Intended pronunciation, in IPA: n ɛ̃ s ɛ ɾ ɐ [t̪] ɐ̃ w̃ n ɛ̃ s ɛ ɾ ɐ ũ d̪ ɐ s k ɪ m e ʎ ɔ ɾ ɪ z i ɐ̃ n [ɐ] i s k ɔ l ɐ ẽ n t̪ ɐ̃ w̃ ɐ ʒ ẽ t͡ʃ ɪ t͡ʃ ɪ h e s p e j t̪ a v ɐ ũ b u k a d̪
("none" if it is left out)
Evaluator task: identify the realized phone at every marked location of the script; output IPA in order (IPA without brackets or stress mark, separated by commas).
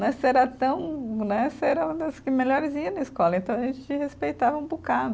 t̪, ɐ